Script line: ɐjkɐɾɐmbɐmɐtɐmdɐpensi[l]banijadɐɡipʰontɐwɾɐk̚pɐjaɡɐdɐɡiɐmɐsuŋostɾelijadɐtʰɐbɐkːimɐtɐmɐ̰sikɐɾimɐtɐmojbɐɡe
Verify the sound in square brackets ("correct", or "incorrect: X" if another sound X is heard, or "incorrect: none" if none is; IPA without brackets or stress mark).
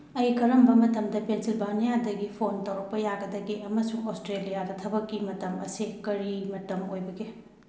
correct